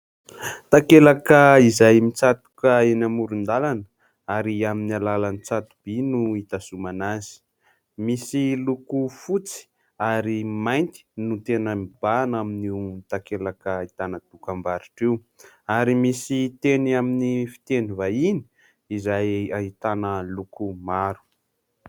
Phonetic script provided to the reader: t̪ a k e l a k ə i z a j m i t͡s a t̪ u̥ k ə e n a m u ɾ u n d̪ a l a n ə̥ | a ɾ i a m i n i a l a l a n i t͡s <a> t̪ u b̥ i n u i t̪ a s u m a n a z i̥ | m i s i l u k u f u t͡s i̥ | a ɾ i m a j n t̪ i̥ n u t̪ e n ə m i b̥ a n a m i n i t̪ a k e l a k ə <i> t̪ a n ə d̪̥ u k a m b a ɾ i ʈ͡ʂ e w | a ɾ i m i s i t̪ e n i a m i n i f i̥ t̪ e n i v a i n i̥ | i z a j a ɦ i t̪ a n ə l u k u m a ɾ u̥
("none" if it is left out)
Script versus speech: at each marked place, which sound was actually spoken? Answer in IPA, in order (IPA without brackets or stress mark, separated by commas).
a, i